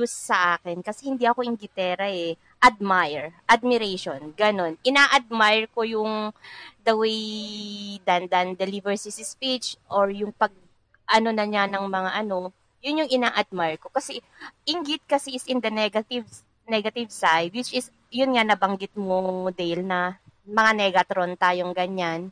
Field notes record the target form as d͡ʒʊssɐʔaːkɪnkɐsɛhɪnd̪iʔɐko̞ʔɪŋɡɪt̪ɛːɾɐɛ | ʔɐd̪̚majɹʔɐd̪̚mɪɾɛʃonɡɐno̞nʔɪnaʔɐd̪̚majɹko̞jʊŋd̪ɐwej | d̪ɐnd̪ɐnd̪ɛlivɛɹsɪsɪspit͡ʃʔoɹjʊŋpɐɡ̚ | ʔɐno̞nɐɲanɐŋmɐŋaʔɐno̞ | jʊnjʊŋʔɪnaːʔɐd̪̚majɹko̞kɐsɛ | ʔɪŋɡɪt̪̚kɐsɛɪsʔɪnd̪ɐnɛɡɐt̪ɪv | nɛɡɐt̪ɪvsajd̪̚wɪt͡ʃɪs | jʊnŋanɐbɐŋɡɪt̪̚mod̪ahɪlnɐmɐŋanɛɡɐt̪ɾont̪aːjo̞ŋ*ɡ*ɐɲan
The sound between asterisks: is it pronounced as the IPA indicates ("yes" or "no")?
yes